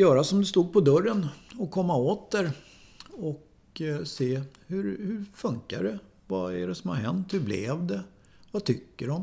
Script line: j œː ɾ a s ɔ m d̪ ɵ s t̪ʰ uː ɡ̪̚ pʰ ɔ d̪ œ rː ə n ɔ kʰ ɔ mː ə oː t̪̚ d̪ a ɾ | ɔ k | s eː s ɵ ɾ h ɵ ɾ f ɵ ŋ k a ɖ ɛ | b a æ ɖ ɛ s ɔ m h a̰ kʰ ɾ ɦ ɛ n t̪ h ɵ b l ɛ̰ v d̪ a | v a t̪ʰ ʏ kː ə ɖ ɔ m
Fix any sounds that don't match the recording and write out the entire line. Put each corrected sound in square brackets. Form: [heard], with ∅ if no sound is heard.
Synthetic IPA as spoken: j œː ɾ a s ɔ m d̪ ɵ s [t̪] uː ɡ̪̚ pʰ ɔ d̪ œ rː ə n ɔ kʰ ɔ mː [a] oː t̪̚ d̪ [æ] ɾ | ɔ k | s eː [h] ɵ ɾ h ɵ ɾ f ɵ ŋ k a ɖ ɛ | [v] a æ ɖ ɛ s ɔ m h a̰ [∅] ɾ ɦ ɛ n t̪ h ɵ b l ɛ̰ v d̪ [ɛ] | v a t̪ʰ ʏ kː ə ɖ ɔ m